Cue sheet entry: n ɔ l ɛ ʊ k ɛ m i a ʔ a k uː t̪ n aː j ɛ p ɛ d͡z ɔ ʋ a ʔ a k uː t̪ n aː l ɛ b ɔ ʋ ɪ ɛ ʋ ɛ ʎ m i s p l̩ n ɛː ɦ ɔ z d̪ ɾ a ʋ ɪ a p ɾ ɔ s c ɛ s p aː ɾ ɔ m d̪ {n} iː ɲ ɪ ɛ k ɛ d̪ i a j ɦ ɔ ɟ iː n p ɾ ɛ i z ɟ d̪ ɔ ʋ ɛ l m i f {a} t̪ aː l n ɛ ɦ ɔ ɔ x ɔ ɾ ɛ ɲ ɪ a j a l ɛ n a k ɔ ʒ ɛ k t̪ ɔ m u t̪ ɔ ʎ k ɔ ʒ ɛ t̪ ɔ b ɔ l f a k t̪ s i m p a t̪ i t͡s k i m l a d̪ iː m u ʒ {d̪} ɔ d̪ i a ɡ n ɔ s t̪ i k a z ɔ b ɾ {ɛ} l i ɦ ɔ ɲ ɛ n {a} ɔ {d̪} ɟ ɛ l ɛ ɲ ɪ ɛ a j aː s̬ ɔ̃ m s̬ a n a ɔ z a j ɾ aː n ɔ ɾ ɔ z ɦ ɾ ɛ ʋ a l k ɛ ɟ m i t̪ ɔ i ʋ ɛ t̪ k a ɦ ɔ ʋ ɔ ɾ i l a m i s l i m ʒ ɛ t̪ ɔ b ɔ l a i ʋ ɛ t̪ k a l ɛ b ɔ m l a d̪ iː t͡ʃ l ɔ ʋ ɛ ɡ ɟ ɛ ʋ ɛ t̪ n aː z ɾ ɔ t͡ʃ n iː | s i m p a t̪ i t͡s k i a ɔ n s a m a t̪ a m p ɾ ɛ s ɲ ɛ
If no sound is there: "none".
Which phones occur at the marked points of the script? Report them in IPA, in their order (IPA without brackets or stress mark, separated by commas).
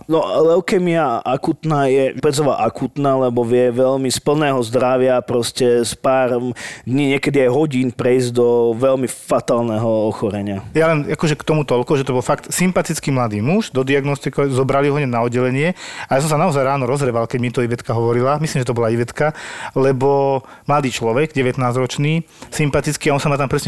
ɲ, a, d̪, a, a, d̪